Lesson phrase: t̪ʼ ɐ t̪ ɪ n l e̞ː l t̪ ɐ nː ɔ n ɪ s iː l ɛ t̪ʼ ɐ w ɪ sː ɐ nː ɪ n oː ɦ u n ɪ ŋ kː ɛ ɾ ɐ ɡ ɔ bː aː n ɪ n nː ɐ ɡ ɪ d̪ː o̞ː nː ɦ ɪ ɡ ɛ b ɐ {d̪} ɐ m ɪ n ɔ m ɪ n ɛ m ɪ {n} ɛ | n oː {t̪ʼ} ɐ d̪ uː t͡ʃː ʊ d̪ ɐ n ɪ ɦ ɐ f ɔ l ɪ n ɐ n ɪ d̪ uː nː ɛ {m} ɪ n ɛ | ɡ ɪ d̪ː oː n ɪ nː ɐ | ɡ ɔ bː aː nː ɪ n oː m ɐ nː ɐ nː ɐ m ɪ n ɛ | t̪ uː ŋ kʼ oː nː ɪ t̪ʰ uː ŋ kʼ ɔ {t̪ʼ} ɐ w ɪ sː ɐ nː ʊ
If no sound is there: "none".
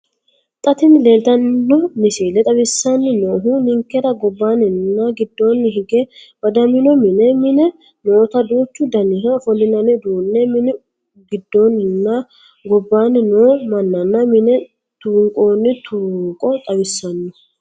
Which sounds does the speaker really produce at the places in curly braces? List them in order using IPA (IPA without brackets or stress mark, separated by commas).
d̪, n, t̪, m, t̪ʼ